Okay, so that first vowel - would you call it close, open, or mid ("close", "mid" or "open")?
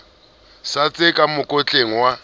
open